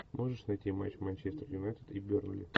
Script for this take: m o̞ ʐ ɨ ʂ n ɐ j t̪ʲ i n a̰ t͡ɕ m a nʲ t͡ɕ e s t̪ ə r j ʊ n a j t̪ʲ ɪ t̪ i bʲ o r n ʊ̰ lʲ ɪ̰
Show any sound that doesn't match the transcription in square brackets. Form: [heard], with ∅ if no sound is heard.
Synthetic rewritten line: m o̞ ʐ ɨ ʂ n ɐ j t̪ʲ i [m] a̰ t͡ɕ m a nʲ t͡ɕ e s t̪ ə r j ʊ n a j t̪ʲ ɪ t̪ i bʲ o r n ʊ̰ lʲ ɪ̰